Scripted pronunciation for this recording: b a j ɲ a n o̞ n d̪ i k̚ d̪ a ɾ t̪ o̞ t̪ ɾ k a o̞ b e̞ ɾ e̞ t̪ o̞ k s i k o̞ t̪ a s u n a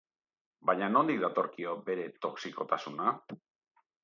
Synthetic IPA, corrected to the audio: b a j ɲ a n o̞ n d̪ i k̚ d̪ a t̪ o̞ ɾ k i o̞ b e̞ ɾ e̞ t̪ o̞ k s i k o̞ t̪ a s u n a